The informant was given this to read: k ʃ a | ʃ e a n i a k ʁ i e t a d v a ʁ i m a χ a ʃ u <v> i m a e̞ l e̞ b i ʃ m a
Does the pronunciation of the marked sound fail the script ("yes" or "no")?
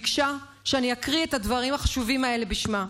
no